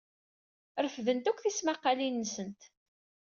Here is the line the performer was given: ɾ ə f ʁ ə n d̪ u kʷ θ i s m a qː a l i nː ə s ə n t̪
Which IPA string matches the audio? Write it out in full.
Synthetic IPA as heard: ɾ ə f ð ə n t̪ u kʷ θ i s m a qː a l i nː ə s ə n t̪